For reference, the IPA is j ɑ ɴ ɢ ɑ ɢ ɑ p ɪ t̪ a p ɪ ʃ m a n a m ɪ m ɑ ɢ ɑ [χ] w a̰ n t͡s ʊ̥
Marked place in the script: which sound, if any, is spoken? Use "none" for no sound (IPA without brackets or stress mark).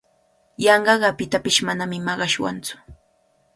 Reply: ʃ